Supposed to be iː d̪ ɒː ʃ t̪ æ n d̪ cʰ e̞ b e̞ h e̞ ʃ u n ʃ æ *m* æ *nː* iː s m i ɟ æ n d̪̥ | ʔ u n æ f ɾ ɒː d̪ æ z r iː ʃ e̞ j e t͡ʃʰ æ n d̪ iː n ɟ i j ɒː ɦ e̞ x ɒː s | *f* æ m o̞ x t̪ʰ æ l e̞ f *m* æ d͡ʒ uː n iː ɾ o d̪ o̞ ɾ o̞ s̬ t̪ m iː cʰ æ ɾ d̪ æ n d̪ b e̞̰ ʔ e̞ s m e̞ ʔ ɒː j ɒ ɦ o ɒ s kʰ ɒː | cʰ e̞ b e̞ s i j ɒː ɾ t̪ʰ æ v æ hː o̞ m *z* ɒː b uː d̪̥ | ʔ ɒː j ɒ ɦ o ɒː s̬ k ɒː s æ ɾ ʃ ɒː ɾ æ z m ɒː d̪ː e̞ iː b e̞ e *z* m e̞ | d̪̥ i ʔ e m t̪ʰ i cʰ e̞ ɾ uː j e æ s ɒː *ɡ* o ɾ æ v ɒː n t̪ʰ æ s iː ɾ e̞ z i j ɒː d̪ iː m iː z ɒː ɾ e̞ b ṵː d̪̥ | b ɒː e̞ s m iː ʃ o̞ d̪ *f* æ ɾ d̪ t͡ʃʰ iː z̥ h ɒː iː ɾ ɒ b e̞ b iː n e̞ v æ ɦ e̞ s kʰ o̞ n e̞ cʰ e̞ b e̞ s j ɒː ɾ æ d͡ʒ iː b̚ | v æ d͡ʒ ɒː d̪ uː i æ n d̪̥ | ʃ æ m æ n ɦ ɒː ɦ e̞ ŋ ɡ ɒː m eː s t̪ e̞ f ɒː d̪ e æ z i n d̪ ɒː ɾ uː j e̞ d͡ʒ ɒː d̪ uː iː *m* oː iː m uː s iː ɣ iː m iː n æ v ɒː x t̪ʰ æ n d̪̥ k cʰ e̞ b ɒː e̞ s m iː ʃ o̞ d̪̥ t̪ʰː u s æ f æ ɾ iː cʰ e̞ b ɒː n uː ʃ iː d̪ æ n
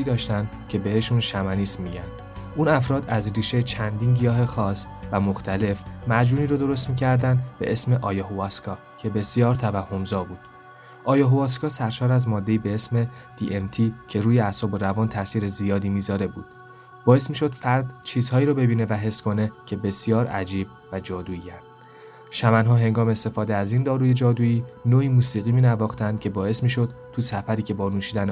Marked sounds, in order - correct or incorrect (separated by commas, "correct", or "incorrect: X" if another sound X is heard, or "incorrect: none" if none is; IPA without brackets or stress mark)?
correct, incorrect: n, incorrect: v, correct, correct, incorrect: s, incorrect: b, correct, incorrect: n